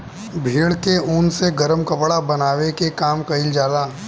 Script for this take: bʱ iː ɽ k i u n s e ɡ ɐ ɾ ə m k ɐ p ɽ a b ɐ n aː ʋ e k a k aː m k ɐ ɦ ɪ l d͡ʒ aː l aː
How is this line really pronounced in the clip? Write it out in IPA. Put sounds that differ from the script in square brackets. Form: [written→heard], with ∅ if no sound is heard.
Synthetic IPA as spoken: bʱ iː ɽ k [i→e] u n s e ɡ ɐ ɾ ə m k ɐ p ɽ a b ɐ n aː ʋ e k [a→e] k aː m k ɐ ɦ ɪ l d͡ʒ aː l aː